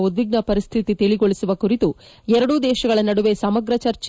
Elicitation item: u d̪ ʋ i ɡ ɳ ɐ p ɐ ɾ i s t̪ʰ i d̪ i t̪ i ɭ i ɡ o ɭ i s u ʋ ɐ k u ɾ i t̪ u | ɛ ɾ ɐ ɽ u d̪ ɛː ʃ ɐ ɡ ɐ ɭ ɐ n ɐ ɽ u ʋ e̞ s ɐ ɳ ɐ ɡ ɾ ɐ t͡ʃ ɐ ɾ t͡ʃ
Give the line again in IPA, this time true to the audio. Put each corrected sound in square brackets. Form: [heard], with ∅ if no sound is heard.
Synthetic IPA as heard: u d̪ ʋ i ɡ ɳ ɐ p ɐ ɾ i s t̪ʰ i [t̪] i t̪ i ɭ i ɡ o ɭ i s u ʋ ɐ k u ɾ i t̪ u | ɛ ɾ ɐ ɽ u d̪ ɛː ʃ ɐ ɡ ɐ ɭ ɐ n ɐ ɽ u ʋ e̞ s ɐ [m] ɐ ɡ ɾ ɐ t͡ʃ ɐ ɾ t͡ʃ